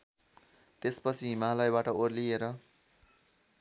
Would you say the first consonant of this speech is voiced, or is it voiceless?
voiceless